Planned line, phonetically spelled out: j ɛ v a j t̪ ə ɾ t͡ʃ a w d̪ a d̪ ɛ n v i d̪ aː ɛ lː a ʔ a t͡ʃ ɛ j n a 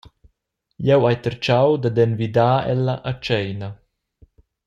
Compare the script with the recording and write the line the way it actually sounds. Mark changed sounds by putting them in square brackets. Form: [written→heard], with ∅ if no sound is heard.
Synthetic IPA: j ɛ [v→w] a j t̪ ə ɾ t͡ʃ a w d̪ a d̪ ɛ n v i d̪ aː ɛ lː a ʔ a t͡ʃ ɛ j n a